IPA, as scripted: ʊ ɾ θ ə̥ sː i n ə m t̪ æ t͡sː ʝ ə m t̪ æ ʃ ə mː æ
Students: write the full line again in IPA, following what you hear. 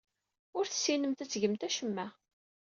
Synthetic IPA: ʊ ɾ θ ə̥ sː i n ə m t̪ æ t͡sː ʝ ə m t̪ æ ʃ ə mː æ

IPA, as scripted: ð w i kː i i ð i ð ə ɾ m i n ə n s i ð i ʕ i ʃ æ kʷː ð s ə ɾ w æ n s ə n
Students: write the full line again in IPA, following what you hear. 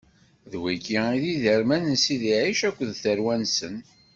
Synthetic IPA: ð w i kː i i ð i ð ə ɾ m æ n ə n s i ð i ʕ i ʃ æ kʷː ð θ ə ɾ w æ n s ə n

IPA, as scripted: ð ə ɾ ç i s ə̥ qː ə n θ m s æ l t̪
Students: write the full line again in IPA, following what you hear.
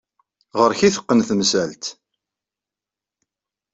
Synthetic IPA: ʁ ə ɾ ç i θ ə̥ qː ə n θ m s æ l t̪

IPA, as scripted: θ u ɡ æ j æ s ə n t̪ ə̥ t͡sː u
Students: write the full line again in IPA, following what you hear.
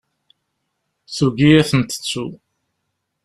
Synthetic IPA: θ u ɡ i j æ θ ə n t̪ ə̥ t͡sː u

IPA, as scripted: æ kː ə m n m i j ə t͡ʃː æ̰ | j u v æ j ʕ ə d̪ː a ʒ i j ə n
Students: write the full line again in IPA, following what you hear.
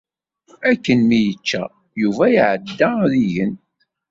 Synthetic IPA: æ kː ə n m i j ə t͡ʃː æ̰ | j u v æ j ʕ ə d̪ː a ð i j ə n

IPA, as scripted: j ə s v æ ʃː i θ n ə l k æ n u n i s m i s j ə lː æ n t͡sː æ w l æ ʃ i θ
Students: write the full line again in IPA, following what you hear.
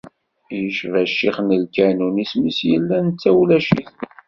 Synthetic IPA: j ə ʃ v æ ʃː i χ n ə l k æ n u n i s m i s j ə lː æ n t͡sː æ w l æ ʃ i θ

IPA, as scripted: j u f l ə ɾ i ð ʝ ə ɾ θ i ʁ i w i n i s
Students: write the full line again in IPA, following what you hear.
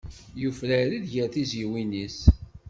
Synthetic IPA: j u f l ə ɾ i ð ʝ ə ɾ θ i z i w i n i s

